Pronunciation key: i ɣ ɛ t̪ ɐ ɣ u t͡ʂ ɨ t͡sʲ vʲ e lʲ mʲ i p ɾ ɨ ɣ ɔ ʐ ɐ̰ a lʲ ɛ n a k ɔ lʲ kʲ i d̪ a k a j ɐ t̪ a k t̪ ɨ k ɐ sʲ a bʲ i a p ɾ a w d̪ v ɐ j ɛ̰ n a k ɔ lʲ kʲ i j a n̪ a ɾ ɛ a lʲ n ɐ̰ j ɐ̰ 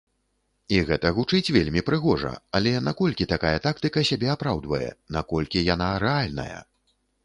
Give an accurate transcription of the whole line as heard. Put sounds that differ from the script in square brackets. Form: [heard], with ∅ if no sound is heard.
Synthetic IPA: i ɣ ɛ t̪ ɐ ɣ u t͡ʂ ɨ t͡sʲ vʲ e lʲ mʲ i p ɾ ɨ ɣ ɔ ʐ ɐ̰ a lʲ ɛ n a k ɔ lʲ kʲ i [t̪] a k a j ɐ t̪ a k t̪ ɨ k ɐ sʲ a bʲ [ɛ] a p ɾ a w d̪ v ɐ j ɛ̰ n a k ɔ lʲ kʲ i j a n̪ a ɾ ɛ a lʲ n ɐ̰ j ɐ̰